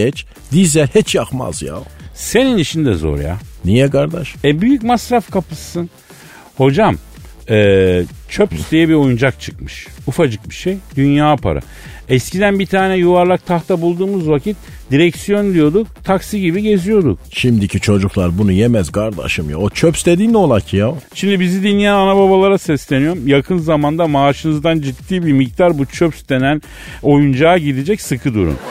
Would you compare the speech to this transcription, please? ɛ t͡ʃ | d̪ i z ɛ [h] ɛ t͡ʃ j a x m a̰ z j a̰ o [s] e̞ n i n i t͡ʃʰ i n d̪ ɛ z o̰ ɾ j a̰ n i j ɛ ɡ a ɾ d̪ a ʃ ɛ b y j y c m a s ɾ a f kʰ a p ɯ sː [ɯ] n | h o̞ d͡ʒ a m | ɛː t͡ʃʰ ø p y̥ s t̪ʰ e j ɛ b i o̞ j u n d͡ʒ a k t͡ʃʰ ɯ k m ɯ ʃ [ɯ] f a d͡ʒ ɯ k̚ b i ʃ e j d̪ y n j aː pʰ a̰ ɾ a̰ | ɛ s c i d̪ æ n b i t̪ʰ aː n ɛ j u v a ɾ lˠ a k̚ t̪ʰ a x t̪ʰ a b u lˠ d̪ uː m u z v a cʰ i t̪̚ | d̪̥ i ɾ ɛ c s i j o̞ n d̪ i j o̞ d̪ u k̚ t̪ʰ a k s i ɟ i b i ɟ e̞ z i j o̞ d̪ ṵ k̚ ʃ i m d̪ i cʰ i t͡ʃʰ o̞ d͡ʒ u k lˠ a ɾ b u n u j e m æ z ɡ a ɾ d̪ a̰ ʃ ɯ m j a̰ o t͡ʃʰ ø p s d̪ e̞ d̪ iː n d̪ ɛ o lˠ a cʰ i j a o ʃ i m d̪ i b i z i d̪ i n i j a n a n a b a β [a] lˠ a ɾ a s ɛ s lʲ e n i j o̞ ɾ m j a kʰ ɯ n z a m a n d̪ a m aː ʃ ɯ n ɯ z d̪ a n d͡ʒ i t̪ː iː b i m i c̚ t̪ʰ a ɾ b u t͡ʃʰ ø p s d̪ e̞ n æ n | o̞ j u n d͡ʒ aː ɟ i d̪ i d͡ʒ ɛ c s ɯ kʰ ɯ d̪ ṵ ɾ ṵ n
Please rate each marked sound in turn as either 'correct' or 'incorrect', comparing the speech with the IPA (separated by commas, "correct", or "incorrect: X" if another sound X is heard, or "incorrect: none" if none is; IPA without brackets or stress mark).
correct, correct, correct, incorrect: u, correct